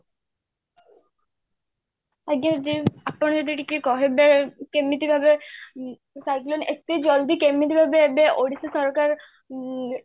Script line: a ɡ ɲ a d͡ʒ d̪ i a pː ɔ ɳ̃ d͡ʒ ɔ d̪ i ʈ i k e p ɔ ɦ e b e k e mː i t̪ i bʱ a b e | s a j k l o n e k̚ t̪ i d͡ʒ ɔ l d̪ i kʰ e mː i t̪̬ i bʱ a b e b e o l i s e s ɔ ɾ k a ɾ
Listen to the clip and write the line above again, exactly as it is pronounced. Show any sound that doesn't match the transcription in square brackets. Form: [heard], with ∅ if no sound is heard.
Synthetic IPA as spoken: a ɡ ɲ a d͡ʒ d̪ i a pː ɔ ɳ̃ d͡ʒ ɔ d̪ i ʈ i k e [k] ɔ ɦ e b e k e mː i t̪ i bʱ a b e | s a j k l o n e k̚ t̪ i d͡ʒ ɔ l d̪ i [k] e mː i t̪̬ i bʱ a b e b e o [ɽ] i s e s ɔ ɾ k a ɾ